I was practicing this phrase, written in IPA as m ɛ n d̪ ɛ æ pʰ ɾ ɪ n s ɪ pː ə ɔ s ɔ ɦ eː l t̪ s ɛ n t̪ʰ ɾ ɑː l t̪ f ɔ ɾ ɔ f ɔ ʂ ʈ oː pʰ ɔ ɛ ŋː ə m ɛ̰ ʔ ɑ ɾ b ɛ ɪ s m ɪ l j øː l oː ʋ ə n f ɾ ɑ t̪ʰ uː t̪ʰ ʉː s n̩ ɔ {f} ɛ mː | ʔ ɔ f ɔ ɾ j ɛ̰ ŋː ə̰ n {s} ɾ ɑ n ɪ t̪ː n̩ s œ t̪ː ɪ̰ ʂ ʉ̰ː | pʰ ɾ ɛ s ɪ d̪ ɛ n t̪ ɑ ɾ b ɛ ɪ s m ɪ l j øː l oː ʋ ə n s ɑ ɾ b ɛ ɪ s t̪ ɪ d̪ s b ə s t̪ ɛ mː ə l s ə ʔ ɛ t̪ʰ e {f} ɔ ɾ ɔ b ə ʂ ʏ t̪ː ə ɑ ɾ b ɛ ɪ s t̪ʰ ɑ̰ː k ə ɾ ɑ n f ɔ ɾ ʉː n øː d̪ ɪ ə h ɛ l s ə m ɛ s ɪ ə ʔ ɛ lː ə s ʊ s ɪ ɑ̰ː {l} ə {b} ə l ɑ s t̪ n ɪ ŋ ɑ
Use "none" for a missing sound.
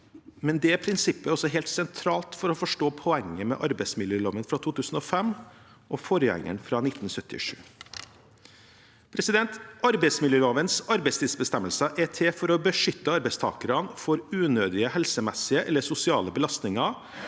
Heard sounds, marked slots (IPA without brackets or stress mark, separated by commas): f, f, f, l, b